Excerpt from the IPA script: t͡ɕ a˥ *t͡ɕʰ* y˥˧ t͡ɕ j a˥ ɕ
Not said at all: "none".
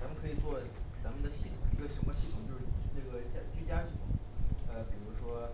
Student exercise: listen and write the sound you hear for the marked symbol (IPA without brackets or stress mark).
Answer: t͡ɕ